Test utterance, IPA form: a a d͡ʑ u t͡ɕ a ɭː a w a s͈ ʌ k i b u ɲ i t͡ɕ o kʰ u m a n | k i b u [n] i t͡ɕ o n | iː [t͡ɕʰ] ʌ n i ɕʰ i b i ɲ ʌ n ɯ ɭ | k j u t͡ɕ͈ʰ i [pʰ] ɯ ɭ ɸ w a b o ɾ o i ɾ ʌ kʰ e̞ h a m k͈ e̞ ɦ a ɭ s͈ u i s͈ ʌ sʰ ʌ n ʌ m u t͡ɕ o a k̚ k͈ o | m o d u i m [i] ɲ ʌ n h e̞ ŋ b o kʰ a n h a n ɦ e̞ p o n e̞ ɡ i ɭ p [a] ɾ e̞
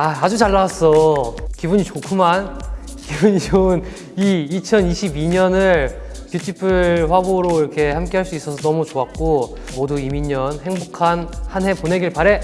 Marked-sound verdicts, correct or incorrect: incorrect: ɲ, correct, correct, correct, correct

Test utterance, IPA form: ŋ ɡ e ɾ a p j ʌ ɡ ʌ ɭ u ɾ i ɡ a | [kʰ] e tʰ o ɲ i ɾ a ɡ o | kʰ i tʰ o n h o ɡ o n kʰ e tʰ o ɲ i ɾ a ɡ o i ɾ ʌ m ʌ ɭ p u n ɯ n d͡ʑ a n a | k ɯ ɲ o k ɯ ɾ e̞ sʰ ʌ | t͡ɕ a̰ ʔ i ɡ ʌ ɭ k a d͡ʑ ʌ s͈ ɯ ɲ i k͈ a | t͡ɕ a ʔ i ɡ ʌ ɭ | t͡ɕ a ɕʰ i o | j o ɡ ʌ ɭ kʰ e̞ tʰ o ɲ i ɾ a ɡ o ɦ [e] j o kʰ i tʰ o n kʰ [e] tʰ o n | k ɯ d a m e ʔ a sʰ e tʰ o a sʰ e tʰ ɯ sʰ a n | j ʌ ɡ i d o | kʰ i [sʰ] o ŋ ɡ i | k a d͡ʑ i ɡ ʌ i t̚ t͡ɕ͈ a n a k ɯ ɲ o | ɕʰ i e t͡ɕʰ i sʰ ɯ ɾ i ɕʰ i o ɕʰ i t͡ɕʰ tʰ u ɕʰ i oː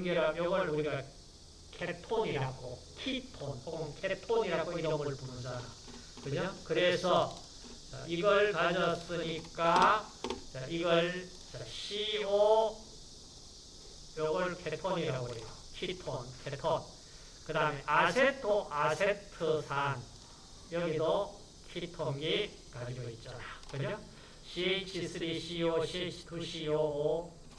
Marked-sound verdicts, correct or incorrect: correct, correct, correct, incorrect: tʰ

